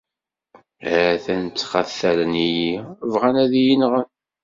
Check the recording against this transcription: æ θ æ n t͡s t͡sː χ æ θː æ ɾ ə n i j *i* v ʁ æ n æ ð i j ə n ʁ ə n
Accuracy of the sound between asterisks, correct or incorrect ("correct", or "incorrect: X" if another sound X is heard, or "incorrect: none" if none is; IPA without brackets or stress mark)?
correct